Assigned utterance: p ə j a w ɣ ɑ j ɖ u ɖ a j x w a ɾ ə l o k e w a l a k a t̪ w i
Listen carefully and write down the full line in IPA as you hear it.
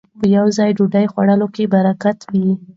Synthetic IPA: p ə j a w z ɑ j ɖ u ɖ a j x w a ɽ ə l o k e b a ɾ a k a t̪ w i